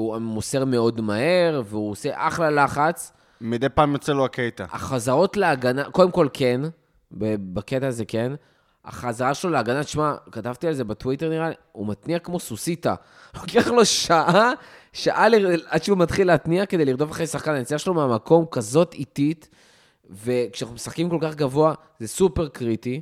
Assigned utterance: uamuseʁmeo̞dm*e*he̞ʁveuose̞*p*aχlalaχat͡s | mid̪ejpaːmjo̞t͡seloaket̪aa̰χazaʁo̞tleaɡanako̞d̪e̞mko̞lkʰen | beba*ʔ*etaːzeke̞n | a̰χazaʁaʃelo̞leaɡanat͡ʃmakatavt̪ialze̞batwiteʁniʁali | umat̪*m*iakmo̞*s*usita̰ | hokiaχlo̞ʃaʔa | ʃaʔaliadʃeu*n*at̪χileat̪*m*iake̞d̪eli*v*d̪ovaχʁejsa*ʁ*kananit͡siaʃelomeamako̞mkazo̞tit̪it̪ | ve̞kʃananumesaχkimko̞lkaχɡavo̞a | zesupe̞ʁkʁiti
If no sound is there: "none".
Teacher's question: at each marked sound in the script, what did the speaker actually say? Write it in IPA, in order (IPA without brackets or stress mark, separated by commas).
a, ʔ, k, n, s, m, n, ʁ, χ